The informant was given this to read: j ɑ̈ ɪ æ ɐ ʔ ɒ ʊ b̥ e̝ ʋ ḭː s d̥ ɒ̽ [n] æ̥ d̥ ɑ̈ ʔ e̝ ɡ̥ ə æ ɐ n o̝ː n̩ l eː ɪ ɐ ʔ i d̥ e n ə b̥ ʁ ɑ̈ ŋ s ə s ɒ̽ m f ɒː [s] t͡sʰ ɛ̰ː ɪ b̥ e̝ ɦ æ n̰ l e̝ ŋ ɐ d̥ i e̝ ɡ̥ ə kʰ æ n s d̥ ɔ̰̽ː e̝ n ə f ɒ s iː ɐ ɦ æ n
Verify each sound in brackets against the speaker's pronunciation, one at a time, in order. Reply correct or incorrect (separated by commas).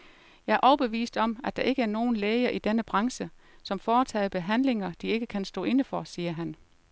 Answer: incorrect, incorrect